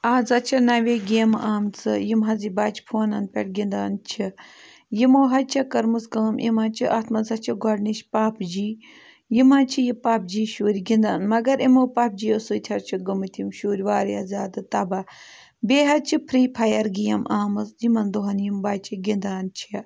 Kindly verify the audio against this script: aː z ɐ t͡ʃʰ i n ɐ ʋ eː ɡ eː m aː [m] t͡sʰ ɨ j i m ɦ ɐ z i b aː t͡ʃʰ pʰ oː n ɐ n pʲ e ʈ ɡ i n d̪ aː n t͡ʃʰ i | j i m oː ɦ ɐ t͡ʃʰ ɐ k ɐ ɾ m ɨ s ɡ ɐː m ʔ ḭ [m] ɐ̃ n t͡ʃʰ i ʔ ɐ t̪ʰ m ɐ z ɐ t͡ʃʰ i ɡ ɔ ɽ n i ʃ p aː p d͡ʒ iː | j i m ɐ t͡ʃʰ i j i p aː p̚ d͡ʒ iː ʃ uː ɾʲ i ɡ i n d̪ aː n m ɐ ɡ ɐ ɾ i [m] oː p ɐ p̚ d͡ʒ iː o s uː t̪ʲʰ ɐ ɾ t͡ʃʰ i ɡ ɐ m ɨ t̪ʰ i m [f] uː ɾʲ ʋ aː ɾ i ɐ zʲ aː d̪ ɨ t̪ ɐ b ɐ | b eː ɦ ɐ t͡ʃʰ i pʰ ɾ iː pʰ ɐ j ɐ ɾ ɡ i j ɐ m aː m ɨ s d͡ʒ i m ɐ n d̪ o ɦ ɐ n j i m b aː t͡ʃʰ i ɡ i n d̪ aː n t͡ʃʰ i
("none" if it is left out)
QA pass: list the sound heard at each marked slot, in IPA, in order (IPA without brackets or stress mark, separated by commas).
m, m, m, ʃ